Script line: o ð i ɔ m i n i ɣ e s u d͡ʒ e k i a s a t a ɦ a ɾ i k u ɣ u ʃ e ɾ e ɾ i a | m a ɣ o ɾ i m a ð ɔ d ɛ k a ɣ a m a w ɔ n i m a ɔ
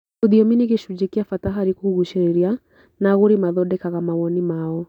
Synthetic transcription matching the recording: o ð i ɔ m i n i ɣ e ʃ u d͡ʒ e k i a f a t a ɦ a ɾ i k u ɣ u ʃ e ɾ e ɾ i a | n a ɣ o ɾ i m a ð ɔ d ɛ k a ɣ a m a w ɔ n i m a ɔ